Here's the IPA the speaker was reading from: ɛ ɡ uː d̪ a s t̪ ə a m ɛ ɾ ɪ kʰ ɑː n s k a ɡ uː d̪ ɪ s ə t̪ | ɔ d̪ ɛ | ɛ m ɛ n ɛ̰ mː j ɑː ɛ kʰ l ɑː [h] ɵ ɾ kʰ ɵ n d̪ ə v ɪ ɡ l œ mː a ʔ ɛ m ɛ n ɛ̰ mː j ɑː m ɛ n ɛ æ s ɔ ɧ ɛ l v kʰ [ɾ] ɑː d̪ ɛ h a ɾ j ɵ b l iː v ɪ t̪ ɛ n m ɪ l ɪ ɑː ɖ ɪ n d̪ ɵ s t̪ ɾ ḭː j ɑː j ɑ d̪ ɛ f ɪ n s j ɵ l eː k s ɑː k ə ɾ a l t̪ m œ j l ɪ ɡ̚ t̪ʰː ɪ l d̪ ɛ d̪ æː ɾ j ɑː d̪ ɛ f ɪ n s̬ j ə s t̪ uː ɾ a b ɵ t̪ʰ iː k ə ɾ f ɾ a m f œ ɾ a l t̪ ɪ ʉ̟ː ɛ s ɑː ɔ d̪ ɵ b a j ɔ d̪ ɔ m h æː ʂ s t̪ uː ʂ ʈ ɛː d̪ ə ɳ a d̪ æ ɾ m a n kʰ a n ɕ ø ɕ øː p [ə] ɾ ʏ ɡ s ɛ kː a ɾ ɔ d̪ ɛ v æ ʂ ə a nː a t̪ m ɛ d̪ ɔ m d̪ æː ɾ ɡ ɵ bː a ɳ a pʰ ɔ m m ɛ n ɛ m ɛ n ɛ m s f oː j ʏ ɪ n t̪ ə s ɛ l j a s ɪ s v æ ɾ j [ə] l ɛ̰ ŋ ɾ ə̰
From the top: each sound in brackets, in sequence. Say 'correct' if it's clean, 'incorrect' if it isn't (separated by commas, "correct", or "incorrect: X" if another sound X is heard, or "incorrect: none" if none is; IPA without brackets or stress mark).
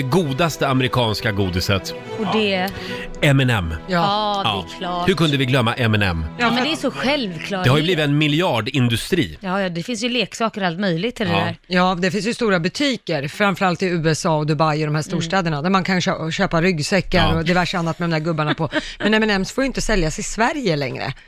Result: correct, incorrect: l, incorrect: a, correct